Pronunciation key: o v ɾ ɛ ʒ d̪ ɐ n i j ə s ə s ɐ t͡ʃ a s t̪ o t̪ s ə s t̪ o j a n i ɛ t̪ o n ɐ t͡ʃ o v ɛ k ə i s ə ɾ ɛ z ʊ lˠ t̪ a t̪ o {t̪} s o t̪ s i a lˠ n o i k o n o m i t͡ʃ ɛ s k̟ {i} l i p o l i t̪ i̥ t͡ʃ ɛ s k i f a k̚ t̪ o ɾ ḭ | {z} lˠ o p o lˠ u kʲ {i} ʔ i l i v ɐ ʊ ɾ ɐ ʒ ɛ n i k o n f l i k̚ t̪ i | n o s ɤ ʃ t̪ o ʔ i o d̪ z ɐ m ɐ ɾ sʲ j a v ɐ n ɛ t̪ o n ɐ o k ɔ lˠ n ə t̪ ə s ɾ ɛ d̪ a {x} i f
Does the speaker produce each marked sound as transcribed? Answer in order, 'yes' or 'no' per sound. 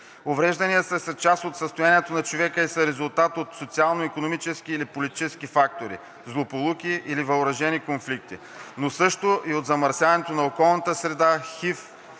yes, no, yes, yes, yes

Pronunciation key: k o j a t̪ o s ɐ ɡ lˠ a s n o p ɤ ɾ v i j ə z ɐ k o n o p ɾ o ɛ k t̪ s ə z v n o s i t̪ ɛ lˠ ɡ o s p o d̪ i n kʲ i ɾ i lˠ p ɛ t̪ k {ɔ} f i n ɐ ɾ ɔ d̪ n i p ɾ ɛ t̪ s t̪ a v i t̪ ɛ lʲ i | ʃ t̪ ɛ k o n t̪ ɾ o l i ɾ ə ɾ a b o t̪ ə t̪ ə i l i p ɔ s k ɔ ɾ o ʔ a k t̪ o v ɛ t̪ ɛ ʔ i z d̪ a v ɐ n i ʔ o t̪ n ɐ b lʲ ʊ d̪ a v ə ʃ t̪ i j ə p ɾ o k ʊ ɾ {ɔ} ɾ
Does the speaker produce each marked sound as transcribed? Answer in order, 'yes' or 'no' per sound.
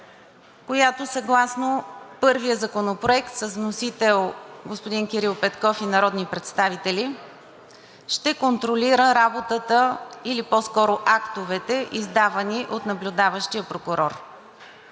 yes, yes

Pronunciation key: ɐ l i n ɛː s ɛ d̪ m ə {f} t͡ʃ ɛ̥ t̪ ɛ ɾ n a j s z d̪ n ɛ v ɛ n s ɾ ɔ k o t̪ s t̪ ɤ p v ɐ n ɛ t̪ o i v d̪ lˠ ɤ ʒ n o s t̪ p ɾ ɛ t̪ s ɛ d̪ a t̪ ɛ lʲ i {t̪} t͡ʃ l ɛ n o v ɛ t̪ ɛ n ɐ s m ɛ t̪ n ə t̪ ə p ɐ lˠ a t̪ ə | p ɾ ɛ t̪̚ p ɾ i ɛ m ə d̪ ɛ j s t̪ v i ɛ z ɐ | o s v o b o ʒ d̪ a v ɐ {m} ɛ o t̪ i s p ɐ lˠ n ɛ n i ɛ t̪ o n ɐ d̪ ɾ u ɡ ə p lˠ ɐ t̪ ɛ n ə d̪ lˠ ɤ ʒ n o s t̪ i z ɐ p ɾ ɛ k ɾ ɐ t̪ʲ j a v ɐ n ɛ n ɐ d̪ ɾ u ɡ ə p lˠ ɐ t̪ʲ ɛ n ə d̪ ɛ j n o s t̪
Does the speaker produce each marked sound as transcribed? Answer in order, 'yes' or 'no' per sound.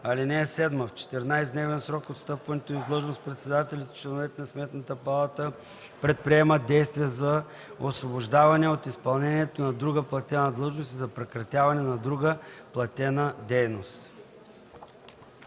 yes, yes, no

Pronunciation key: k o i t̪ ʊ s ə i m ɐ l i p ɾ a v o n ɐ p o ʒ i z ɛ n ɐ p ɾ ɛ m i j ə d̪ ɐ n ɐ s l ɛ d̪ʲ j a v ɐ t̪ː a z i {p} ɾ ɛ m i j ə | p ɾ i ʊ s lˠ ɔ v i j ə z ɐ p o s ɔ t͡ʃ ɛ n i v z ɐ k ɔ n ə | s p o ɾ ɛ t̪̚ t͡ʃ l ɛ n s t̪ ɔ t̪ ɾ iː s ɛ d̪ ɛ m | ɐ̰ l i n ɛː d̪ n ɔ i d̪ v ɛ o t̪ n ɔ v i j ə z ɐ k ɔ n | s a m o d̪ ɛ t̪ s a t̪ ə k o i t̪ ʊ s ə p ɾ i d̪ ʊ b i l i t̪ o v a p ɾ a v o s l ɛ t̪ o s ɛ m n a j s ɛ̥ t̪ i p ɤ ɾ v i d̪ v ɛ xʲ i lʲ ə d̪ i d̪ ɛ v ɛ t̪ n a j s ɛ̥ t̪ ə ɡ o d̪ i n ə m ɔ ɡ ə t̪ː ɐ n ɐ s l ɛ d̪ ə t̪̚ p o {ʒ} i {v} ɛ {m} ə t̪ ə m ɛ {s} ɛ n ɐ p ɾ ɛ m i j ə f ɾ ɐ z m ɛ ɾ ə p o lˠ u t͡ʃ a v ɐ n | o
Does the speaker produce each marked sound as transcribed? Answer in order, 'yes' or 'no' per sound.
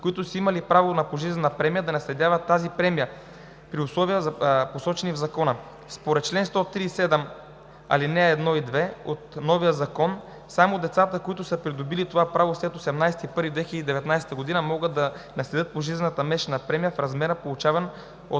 yes, yes, no, no, no

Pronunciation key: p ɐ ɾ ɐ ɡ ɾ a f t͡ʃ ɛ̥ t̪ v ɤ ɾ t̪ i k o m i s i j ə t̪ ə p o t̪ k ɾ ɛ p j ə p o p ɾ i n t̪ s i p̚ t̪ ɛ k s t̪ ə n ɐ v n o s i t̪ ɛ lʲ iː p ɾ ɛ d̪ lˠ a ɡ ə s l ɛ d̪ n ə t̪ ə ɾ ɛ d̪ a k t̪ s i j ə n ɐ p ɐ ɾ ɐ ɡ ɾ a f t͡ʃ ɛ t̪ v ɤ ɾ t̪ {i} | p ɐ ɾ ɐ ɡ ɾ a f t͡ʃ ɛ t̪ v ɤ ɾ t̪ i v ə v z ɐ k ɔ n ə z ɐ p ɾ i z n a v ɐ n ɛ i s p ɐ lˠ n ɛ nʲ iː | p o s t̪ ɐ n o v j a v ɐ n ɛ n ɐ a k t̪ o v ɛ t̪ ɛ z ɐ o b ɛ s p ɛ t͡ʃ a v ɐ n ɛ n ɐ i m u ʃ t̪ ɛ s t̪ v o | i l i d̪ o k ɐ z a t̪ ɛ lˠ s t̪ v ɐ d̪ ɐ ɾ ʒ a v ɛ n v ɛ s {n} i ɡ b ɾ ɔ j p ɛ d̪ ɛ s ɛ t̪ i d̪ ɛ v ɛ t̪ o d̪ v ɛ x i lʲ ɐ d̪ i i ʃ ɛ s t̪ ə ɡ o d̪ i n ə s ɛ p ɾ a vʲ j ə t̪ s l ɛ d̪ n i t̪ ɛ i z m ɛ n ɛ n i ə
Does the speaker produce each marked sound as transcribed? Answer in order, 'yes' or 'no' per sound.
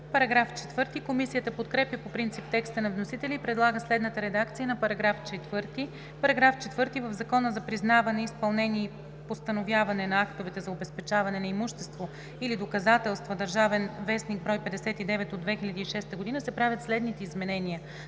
yes, yes

